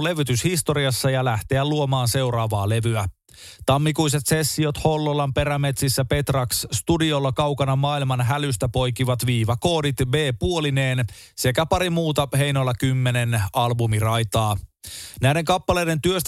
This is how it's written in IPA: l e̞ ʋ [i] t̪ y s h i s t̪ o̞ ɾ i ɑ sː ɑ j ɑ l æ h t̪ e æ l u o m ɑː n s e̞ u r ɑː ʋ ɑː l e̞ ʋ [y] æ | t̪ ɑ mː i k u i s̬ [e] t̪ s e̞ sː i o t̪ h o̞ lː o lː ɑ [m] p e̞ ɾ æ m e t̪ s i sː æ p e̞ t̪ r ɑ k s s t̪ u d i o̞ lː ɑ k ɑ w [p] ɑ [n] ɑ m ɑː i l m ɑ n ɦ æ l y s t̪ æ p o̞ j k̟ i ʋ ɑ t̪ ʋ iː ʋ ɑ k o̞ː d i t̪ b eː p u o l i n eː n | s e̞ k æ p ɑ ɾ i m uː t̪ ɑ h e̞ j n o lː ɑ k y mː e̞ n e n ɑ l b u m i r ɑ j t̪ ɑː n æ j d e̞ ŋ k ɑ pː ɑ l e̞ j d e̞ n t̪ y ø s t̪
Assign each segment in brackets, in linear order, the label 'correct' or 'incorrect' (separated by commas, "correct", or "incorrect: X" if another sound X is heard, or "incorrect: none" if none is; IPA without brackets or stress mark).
incorrect: y, correct, correct, correct, incorrect: k, correct